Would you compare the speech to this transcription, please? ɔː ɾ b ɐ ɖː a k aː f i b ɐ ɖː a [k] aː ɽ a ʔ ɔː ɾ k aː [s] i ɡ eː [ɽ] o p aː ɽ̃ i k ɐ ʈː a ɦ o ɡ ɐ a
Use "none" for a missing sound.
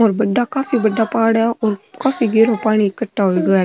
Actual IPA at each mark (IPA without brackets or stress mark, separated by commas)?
p, f, ɾ